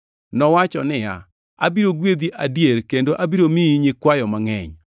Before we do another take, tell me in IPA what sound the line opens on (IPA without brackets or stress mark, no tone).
n